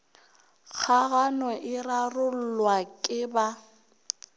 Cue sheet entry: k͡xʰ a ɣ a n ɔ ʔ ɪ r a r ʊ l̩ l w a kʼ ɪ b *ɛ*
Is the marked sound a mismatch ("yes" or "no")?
yes